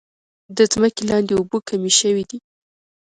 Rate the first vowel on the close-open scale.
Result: mid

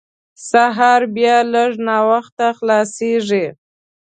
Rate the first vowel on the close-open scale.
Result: open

